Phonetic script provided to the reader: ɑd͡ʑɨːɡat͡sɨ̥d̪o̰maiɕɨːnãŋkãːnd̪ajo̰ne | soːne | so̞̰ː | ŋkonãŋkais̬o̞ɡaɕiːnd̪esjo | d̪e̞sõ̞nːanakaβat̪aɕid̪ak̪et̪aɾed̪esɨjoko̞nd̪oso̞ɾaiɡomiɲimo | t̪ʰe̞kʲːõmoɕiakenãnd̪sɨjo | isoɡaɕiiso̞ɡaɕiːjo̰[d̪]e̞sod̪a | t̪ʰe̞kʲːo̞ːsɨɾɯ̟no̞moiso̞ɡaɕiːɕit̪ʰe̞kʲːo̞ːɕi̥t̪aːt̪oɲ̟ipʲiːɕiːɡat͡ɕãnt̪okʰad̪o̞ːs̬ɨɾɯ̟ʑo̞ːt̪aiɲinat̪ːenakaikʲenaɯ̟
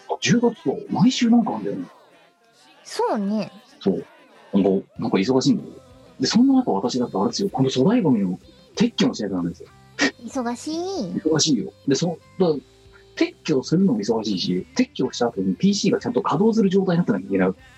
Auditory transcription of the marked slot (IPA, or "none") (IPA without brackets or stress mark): d̪